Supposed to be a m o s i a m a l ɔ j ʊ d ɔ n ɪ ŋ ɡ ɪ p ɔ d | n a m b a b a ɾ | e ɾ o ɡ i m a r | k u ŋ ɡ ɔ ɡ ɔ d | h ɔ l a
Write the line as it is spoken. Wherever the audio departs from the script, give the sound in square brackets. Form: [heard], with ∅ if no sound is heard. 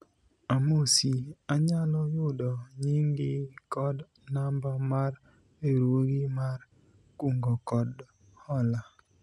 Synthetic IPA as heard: a m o s i a [ɲ] a l ɔ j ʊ d ɔ [ɲ] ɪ ŋ ɡ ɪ [k] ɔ d | n a m b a [m] a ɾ | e ɾ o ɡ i m a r | k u ŋ ɡ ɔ [k] ɔ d | h ɔ l a